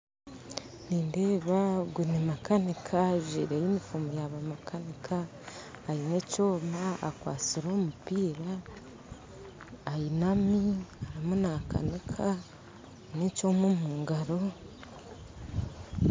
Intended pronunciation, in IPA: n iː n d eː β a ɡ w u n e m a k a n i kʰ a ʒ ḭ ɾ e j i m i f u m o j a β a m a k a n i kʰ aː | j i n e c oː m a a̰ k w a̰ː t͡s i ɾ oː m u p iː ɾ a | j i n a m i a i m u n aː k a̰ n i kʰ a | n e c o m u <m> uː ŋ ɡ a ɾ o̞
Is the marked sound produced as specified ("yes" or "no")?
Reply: yes